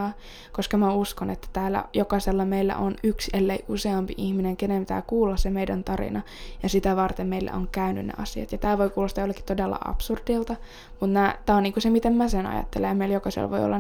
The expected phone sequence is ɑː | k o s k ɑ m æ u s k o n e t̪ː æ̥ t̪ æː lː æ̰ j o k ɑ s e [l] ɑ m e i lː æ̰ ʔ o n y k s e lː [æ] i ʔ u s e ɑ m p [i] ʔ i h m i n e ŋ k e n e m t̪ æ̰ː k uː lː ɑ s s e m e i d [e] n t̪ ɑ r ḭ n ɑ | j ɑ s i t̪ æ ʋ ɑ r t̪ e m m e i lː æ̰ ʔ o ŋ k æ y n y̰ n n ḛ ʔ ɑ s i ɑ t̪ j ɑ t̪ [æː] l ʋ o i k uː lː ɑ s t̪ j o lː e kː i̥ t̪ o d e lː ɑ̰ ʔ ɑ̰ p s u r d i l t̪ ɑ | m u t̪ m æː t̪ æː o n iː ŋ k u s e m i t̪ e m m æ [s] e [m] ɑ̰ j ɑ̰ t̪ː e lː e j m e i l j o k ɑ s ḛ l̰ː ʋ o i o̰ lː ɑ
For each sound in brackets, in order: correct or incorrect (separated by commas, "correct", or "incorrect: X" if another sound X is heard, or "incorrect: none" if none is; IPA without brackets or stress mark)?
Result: incorrect: lː, incorrect: e, correct, incorrect: æ, correct, correct, incorrect: n